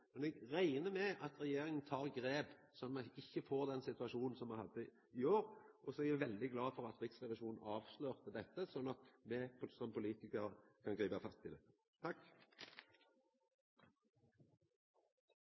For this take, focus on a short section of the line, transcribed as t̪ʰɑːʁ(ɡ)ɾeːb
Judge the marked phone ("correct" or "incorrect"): correct